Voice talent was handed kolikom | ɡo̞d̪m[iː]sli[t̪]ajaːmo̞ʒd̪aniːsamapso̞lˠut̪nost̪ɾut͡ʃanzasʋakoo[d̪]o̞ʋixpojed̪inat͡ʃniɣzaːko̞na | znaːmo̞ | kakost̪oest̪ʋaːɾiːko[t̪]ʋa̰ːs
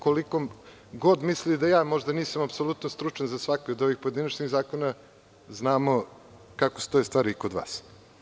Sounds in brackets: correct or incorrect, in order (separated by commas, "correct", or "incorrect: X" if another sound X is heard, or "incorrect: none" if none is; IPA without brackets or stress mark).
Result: incorrect: i, incorrect: d̪, correct, incorrect: d̪